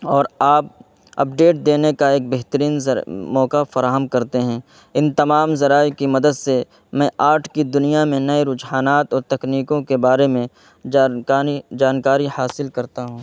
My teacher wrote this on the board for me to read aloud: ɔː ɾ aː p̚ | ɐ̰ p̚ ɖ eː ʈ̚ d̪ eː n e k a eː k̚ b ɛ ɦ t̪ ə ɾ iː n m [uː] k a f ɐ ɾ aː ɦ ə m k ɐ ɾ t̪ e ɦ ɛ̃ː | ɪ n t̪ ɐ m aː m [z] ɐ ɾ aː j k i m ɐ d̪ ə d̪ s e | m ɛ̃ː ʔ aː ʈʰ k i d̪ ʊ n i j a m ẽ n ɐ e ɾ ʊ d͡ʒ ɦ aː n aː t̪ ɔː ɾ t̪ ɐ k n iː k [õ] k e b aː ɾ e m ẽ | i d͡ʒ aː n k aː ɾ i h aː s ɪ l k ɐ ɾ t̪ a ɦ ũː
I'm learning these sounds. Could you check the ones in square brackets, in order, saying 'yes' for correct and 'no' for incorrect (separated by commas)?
no, yes, yes